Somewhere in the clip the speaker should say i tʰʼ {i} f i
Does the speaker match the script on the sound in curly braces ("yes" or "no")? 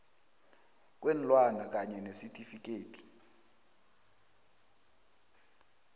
yes